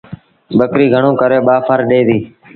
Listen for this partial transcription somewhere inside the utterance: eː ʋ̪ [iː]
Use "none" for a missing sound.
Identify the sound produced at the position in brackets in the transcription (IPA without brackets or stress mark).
iː